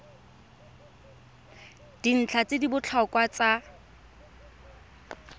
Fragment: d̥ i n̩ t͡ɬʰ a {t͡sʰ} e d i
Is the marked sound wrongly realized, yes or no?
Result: yes